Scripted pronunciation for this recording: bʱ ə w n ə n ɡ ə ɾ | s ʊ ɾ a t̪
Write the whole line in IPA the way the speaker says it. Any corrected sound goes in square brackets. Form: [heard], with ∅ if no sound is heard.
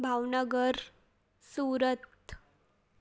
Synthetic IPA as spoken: bʱ [a] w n ə [∅] ɡ ə ɾ | s [u] ɾ [ə] t̪